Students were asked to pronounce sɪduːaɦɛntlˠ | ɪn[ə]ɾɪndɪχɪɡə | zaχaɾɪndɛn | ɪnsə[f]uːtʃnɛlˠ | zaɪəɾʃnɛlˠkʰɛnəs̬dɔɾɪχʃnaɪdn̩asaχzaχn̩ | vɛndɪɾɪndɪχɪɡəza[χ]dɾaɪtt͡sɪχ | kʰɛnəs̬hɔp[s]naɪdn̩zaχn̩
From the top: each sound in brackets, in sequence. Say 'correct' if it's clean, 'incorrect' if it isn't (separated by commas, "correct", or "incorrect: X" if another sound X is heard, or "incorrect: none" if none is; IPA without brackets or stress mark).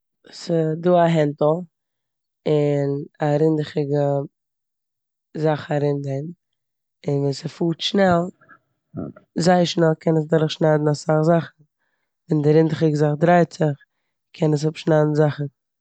incorrect: a, correct, correct, incorrect: ʃ